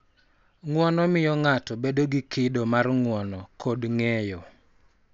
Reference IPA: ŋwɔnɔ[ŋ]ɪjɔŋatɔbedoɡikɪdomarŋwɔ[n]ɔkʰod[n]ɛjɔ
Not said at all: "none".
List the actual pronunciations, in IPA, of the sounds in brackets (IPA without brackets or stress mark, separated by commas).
m, n, ŋ